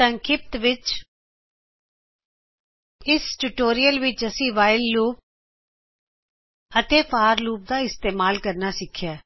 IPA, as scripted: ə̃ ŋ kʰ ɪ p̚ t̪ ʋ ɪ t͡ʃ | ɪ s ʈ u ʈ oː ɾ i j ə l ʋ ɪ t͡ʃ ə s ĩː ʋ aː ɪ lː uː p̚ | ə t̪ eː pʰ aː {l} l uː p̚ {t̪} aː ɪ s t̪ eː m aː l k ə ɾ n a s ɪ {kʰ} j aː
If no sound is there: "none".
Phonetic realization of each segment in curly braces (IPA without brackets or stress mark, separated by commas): ɾ, d̪, kʰ